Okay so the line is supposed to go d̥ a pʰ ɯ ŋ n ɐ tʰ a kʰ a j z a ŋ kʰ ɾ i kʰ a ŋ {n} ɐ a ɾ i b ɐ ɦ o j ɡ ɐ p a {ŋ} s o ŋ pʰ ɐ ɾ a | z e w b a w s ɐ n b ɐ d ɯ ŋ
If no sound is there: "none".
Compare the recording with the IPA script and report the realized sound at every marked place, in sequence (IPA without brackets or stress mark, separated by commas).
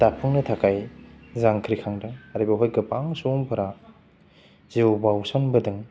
d, ŋ